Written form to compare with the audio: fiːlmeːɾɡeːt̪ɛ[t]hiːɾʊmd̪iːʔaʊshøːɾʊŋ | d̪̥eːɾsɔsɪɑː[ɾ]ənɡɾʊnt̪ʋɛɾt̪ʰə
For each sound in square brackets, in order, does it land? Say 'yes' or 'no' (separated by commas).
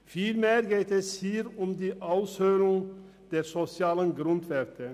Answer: no, no